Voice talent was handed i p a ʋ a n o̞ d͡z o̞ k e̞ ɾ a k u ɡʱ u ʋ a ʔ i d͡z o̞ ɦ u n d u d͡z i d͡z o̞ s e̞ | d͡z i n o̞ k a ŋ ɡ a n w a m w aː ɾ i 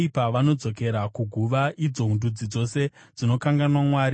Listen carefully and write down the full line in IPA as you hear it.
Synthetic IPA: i p a ʋ a n o̞ d͡z o̞ k e̞ ɾ a k u ɡʱ u ʋ a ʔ i d͡z o̞ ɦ u n d u d͡z i d͡z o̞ s e̞ | d͡z i n o̞ k a ŋ ɡ a n w a m w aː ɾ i